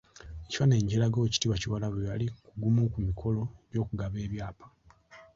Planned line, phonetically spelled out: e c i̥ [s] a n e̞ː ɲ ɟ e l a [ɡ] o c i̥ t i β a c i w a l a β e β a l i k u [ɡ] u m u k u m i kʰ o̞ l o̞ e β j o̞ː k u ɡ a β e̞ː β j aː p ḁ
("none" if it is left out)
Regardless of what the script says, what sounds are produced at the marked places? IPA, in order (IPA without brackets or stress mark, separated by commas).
f, ɡ, ɡ